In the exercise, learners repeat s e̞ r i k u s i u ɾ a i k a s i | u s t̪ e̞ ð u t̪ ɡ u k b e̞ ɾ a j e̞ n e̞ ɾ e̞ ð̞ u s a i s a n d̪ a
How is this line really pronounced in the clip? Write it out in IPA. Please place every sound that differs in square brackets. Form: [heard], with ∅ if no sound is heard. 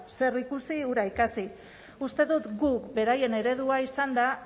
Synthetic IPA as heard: s e̞ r i k u s i u ɾ a i k a s i | u s t̪ e̞ ð u t̪ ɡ u k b e̞ ɾ a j e̞ n e̞ ɾ e̞ ð̞ u [∅] a i s a n d̪ a